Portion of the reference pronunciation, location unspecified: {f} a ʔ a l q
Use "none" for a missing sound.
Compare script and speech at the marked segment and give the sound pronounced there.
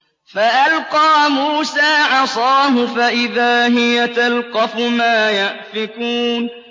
f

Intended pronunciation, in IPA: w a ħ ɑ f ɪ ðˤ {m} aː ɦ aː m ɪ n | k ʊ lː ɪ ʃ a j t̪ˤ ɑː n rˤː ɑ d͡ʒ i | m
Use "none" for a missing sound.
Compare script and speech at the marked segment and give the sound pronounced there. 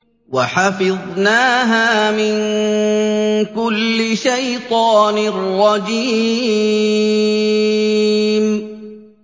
n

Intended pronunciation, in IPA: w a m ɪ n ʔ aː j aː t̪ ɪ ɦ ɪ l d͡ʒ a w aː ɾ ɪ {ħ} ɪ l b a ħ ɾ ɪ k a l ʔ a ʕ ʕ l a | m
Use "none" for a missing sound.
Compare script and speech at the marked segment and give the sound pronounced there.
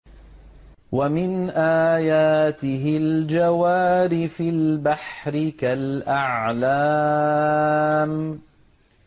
f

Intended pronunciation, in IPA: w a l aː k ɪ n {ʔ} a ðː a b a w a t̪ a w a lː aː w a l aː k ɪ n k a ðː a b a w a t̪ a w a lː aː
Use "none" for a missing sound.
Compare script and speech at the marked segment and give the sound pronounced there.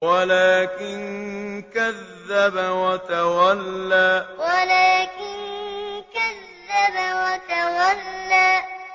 k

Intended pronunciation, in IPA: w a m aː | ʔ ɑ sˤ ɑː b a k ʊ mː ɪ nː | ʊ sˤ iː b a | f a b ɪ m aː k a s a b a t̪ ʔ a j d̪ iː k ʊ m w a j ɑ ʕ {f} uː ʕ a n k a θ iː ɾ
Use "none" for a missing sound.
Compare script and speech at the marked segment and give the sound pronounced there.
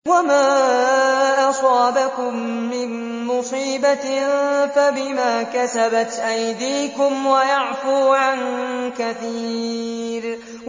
f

